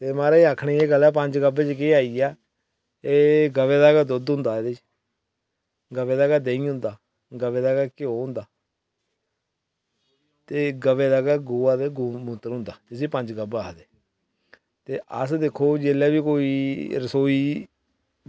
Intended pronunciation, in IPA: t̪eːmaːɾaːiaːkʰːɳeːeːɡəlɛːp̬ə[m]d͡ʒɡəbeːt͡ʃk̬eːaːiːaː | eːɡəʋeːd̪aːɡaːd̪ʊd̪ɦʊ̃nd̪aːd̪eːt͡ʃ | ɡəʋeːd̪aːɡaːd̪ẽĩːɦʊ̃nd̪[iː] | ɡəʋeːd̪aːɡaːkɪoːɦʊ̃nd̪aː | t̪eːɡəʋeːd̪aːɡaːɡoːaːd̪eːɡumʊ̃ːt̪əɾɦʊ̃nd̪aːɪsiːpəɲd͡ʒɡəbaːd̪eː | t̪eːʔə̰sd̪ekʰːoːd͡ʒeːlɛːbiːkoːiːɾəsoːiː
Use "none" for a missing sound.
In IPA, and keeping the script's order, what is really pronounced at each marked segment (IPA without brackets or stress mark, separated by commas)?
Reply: ɲ, aː